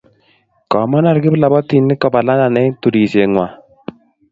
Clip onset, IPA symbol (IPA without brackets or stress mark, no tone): k